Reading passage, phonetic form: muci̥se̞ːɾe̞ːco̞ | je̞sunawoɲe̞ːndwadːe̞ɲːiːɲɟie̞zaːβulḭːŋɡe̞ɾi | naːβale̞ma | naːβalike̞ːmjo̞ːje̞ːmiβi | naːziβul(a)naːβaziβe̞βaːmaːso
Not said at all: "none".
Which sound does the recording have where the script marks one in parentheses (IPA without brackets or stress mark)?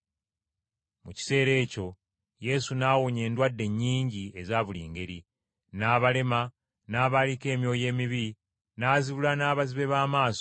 a